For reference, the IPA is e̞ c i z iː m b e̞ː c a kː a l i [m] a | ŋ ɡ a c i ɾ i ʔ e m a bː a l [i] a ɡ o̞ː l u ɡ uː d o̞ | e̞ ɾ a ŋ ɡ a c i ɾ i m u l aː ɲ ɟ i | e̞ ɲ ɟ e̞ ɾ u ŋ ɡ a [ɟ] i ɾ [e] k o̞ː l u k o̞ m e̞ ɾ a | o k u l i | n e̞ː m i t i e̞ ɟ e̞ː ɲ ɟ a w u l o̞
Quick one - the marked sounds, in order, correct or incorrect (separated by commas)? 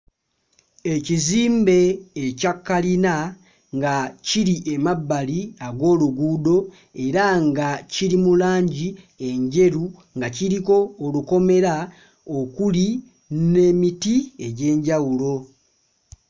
incorrect, correct, incorrect, incorrect